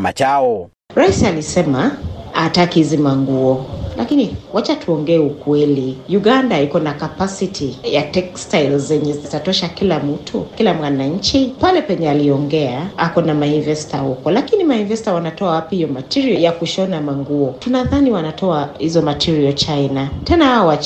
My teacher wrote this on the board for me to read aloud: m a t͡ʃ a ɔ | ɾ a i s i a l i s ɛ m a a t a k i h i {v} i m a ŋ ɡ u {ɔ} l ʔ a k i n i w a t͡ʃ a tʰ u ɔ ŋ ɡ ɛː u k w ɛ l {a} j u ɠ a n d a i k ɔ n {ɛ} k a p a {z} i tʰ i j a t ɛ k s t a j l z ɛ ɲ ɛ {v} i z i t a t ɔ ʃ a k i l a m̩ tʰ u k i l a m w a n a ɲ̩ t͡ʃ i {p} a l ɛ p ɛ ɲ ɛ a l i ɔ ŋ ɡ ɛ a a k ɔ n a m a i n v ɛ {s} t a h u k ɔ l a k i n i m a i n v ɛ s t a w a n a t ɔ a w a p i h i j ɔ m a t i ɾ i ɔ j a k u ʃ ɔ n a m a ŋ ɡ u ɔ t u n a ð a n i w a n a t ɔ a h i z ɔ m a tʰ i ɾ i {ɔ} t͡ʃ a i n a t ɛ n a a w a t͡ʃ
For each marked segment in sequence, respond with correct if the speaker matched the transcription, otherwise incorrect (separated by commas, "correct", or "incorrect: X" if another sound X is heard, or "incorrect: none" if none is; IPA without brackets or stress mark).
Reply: incorrect: z, correct, incorrect: i, incorrect: a, incorrect: s, incorrect: z, correct, correct, correct